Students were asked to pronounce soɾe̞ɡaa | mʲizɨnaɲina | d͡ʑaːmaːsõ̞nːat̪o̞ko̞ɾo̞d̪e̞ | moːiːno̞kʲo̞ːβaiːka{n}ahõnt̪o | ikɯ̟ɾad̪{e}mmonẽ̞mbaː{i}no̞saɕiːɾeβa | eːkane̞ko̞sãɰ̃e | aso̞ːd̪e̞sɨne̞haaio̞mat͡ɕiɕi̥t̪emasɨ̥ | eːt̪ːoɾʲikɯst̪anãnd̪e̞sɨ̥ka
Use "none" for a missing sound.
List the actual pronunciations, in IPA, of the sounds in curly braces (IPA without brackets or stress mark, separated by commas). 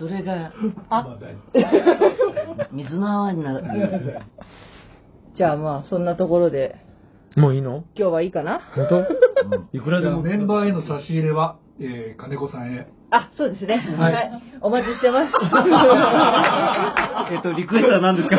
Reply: n, e, e